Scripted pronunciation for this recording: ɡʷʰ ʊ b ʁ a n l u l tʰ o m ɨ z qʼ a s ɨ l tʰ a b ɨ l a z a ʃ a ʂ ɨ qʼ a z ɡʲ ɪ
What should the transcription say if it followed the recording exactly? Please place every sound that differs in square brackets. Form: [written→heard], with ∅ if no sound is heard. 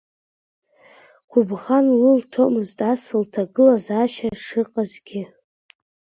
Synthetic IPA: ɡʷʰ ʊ b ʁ a n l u l tʰ o m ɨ z [qʼ→tʼ] a s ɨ l tʰ a [b→ɡ] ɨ l a z a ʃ a ʂ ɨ qʼ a z ɡʲ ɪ